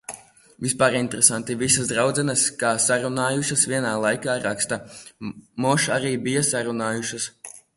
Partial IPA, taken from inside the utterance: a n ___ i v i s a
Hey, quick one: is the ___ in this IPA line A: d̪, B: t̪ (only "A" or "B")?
B